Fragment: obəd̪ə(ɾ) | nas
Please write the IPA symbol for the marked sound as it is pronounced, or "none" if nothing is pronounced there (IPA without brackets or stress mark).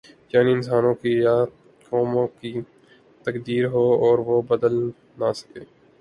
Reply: l